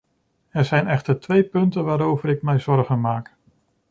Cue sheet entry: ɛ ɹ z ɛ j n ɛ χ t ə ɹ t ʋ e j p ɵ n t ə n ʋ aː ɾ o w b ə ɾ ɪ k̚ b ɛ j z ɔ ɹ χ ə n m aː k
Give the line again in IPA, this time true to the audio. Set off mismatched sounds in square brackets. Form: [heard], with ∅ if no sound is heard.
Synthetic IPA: ɛ ɹ z ɛ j n ɛ χ t ə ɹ t ʋ e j p ɵ n t ə n ʋ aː ɾ o w [v] ə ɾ ɪ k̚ [m] ɛ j z ɔ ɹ χ ə n m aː k

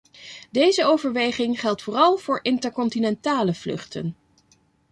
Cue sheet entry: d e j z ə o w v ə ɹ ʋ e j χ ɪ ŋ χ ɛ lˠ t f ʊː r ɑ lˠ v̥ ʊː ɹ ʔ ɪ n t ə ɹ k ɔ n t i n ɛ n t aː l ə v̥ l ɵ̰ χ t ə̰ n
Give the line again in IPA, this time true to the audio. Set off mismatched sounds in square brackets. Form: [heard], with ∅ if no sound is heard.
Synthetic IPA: d e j z ə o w v ə ɹ ʋ e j χ ɪ ŋ χ ɛ lˠ t f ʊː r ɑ lˠ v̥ ʊː ɹ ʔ ɪ n t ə ɹ k ɔ n t i n ɛ n t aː l ə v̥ l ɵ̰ χ t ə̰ n

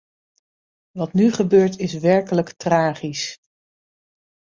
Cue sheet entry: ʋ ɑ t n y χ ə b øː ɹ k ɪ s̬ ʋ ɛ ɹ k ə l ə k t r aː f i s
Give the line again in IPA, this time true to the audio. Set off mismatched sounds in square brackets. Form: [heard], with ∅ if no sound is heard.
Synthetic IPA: ʋ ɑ t n y χ ə b øː ɹ [t] ɪ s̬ ʋ ɛ ɹ k ə l ə k t r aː [χ] i s

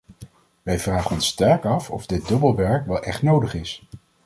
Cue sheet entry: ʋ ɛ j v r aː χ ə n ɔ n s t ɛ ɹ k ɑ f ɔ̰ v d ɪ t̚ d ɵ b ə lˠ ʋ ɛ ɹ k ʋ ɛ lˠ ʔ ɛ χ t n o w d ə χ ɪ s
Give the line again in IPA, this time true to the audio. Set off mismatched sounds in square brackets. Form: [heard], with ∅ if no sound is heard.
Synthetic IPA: ʋ ɛ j v r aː χ ə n ɔ n s t ɛ ɹ k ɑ f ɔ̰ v d ɪ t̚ d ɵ b ə lˠ ʋ ɛ ɹ k ʋ ɛ lˠ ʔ ɛ χ t n o w d ə χ ɪ s

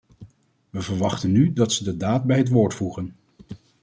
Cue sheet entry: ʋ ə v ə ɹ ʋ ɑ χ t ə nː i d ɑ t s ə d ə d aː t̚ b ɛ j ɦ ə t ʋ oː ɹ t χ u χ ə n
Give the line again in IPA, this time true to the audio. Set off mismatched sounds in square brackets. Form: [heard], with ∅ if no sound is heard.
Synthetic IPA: ʋ ə v ə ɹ ʋ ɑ χ t ə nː [y] d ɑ t s ə d ə d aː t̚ b ɛ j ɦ ə t ʋ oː ɹ t [f] u χ ə n

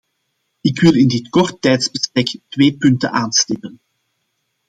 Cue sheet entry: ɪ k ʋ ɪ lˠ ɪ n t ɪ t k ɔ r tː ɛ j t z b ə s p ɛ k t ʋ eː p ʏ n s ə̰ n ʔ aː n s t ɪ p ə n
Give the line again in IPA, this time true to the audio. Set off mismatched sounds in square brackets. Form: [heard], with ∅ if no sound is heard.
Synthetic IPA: ɪ k ʋ ɪ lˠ ɪ n [d] ɪ t k ɔ r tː ɛ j t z b ə s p ɛ k t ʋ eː p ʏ n [t] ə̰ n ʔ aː n s t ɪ p ə n

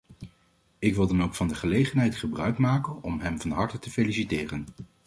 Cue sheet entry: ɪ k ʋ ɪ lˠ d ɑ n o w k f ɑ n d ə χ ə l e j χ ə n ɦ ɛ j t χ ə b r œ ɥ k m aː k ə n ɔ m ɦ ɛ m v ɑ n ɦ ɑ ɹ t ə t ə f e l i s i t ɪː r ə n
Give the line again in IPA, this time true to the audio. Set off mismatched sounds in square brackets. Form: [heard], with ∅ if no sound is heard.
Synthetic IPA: ɪ k ʋ ɪ lˠ d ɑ n o w k f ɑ n d ə χ ə l e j χ ə n ɦ ɛ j t χ ə b r œ ɥ k m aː k ə n ɔ m ɦ ɛ m v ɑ n ɦ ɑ ɹ t ə t ə f e l i s i t ɪː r ə n

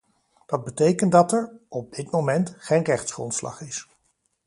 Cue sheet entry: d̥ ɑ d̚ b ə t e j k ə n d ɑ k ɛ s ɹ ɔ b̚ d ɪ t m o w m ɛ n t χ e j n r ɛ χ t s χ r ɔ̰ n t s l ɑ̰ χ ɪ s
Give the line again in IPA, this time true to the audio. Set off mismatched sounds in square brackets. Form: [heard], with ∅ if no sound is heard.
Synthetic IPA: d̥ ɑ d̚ b ə t e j k ə n d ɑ [t] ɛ [∅] ɹ ɔ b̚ d ɪ t m o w m ɛ n t χ e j n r ɛ χ t s χ r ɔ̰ n t s l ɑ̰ χ ɪ s

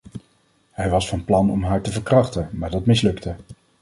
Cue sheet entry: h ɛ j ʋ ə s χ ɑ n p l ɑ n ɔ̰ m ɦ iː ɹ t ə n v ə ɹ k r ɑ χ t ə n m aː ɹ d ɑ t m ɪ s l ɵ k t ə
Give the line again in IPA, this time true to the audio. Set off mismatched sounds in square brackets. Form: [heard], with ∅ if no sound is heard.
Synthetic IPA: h ɛ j ʋ [ɑ] s [f] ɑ n p l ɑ n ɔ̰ m ɦ [aː] ɹ t ə [∅] v ə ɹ k r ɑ χ t ə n m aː ɹ d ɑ t m ɪ s l ɵ k t ə

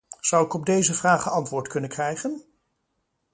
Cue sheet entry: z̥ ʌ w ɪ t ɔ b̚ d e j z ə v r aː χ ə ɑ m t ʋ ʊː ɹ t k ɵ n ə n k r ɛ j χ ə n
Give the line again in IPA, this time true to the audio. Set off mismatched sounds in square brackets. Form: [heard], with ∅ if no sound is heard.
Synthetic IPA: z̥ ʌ w ɪ [k] ɔ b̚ d e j z ə v r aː χ ə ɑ [n] t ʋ ʊː ɹ t k ɵ n ə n k r ɛ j χ ə n

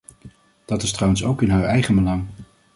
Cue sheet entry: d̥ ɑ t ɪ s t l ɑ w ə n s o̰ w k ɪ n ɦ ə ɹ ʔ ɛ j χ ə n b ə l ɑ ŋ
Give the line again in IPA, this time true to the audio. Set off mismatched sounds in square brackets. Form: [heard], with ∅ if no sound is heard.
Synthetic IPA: d̥ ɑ t ɪ s t [r] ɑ w ə n s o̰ w k ɪ n ɦ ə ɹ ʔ ɛ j χ ə n b ə l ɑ ŋ

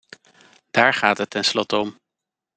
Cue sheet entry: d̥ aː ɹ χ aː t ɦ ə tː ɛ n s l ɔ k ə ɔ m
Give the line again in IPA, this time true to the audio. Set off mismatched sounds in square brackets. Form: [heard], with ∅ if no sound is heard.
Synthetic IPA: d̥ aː ɹ χ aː t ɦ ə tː ɛ n s l ɔ [t] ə ɔ m

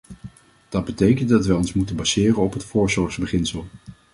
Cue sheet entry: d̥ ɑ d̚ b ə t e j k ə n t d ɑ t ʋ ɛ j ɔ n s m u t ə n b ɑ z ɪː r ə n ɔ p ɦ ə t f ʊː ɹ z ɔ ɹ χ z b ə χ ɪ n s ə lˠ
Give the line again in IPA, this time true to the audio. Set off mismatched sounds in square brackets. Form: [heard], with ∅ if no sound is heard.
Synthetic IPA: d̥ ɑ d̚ b ə t e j k ə n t d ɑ t ʋ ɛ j ɔ n s m u t ə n b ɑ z ɪː r ə n ɔ p ɦ ə t f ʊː ɹ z ɔ ɹ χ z b ə χ ɪ n s ə lˠ

